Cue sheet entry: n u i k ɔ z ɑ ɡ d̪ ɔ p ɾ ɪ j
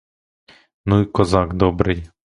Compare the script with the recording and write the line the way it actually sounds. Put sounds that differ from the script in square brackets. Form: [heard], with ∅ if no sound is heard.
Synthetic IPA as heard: n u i k ɔ z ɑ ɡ d̪ ɔ [b] ɾ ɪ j